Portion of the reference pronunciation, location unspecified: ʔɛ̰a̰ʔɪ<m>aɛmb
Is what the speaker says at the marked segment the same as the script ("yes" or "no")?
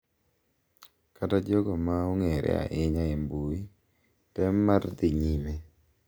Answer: no